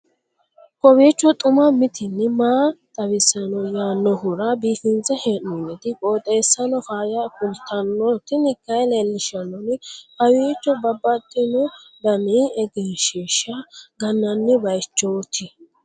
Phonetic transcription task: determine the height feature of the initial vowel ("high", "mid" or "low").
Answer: mid